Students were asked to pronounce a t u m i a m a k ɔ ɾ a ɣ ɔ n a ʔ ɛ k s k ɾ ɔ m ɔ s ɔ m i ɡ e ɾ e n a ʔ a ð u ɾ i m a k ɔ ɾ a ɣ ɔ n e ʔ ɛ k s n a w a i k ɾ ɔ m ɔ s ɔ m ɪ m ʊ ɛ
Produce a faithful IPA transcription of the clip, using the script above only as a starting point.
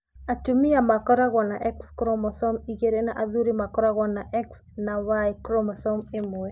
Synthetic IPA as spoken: a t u m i a m a k ɔ ɾ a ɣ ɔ n a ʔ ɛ k s k ɾ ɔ m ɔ s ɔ m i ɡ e ɾ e n a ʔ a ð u ɾ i m a k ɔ ɾ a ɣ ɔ n a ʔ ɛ k s n a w a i k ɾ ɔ m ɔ s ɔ m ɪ m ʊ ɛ